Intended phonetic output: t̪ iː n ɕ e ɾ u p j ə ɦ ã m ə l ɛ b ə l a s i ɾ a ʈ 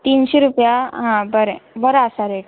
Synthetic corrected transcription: t̪ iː n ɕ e ɾ u p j a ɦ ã b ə ɾ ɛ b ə ɾ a s a ɾ e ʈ